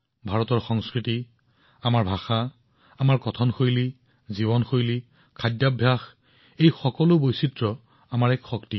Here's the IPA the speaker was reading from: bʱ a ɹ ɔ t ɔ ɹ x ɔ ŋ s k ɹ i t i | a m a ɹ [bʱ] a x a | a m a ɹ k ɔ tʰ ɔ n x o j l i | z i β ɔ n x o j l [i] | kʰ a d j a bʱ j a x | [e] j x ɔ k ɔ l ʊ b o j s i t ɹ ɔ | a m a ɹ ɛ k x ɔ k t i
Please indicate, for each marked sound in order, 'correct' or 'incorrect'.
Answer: correct, correct, correct

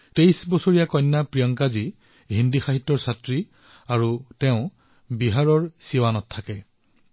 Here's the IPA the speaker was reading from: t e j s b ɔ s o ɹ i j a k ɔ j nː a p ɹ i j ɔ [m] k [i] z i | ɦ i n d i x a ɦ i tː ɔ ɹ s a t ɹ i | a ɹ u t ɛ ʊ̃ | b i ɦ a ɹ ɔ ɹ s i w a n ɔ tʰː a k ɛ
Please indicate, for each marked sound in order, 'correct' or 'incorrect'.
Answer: incorrect, incorrect

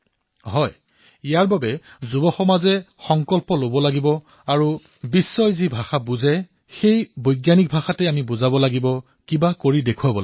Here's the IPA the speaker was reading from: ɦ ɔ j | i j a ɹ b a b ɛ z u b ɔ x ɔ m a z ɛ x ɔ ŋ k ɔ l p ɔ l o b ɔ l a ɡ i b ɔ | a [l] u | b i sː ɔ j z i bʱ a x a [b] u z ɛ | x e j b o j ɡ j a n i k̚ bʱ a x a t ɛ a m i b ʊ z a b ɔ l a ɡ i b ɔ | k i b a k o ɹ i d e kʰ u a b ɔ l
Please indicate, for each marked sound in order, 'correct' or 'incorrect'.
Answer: incorrect, correct

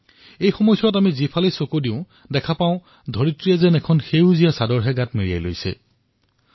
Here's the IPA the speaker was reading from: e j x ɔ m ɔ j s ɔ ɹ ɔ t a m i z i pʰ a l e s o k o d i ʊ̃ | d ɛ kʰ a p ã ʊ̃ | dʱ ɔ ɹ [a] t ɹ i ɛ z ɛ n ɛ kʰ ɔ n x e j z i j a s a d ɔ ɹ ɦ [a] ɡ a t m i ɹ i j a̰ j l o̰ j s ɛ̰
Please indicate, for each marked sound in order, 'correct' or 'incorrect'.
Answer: incorrect, incorrect

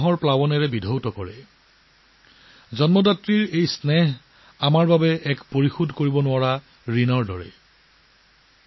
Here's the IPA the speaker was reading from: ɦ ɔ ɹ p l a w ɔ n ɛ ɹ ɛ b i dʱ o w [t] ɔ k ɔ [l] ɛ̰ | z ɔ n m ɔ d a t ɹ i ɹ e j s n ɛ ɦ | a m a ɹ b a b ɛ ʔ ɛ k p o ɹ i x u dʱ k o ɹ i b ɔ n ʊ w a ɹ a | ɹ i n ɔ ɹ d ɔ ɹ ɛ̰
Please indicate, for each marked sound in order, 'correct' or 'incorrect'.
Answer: correct, incorrect

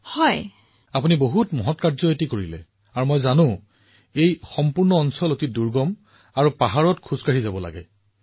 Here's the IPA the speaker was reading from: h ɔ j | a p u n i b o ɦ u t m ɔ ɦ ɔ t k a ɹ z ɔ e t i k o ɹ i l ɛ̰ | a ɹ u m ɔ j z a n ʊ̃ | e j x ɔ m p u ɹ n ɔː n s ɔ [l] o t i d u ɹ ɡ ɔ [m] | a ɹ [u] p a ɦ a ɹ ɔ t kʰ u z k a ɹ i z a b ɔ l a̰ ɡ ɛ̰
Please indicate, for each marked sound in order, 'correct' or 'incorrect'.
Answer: correct, correct, correct

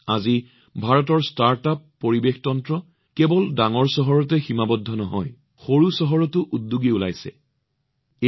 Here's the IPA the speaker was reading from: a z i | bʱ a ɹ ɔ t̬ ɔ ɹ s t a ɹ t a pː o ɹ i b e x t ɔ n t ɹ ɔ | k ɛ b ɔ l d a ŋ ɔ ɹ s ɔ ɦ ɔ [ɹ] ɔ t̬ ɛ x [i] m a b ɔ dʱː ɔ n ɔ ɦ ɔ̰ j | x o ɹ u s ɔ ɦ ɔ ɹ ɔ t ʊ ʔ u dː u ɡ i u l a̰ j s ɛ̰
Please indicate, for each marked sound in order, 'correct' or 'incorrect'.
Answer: correct, correct

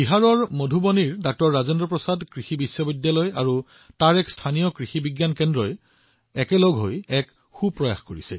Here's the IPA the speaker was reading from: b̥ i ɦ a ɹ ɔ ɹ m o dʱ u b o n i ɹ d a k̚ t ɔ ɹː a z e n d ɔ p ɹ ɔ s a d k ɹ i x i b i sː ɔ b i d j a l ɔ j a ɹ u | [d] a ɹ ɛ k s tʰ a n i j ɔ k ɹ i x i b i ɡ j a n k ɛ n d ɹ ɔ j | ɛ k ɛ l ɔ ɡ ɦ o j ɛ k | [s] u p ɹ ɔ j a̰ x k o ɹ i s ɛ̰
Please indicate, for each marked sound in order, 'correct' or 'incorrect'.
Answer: incorrect, incorrect

